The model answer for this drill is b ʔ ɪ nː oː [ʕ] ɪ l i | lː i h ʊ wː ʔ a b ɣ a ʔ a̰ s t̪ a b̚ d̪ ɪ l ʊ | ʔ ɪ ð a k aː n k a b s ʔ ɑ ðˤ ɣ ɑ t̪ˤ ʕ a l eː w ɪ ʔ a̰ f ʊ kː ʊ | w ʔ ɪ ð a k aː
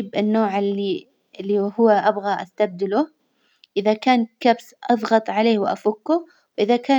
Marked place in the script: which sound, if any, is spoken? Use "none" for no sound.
ʕ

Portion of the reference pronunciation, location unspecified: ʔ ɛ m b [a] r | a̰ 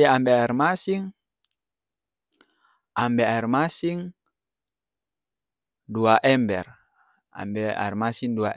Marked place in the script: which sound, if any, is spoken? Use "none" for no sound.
ɛ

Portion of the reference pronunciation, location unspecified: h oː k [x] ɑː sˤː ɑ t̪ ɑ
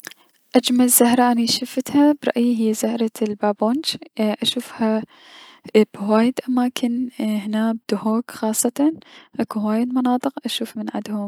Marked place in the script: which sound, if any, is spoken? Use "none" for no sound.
x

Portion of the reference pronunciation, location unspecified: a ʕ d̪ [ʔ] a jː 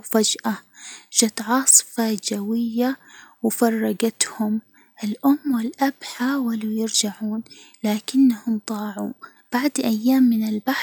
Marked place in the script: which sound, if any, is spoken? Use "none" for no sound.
ʔ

